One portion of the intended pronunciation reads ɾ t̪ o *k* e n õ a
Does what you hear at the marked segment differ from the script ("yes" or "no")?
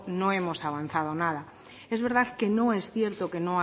no